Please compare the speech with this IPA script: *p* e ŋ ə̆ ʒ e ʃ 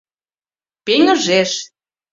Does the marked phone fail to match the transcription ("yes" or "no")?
no